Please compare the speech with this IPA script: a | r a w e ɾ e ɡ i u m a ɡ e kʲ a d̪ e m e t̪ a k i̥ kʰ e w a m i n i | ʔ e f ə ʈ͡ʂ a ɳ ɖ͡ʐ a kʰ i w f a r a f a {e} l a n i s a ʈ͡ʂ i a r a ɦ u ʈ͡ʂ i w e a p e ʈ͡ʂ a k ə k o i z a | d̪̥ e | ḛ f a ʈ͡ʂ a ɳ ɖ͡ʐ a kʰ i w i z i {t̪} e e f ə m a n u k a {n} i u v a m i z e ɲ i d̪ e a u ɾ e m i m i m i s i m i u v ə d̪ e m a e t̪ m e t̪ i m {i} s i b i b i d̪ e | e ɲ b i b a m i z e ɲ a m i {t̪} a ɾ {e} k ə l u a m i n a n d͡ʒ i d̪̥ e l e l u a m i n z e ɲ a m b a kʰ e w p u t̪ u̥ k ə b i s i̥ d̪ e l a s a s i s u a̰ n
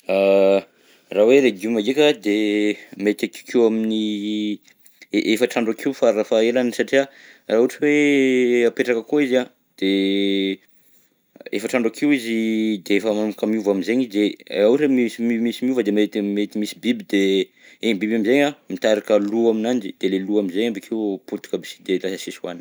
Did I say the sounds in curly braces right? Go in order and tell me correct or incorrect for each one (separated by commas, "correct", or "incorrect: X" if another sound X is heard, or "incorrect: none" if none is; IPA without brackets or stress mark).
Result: correct, incorrect: d̪, incorrect: m, correct, correct, incorrect: a